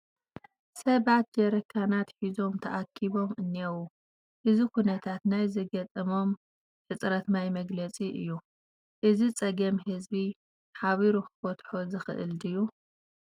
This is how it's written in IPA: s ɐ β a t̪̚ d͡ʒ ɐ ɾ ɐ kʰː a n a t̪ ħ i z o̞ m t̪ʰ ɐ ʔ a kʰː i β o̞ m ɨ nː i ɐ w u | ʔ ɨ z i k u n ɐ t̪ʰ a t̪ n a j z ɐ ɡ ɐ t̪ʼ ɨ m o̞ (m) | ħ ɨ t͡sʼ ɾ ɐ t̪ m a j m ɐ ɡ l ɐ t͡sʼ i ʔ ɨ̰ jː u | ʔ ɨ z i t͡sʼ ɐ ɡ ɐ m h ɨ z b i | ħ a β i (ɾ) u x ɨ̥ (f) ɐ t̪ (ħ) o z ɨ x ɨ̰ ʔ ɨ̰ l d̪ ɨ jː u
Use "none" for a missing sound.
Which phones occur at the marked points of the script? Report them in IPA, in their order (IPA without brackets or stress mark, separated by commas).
m, ɾ, f, ħ